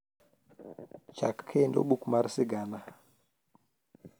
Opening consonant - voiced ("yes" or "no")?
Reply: no